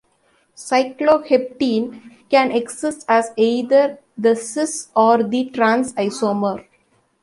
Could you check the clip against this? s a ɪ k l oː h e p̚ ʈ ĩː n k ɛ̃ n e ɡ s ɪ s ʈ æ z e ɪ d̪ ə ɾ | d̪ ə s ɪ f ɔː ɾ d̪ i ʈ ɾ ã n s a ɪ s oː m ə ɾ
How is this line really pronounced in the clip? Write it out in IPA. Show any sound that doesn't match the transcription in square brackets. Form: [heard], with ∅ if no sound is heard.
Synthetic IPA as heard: s a ɪ k l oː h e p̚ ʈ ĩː n k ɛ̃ n e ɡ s ɪ s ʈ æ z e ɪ d̪ ə ɾ | d̪ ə s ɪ [s] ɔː ɾ d̪ i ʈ ɾ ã n s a ɪ s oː m ə ɾ